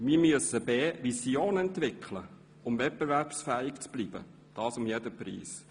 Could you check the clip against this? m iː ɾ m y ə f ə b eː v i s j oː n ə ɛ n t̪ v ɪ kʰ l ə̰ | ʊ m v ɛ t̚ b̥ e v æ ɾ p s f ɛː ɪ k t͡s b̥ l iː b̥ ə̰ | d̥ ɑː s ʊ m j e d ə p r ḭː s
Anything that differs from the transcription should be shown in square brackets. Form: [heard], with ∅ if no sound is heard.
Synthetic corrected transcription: m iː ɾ m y ə [s] ə b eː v i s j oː n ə ɛ n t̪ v ɪ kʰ l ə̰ | ʊ m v ɛ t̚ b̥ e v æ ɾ p s f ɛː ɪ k t͡s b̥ l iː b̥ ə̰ | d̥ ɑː s ʊ m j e d ə p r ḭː s